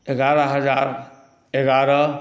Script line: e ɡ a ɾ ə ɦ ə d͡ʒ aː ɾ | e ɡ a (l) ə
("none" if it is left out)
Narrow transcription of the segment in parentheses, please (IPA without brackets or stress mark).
ɾ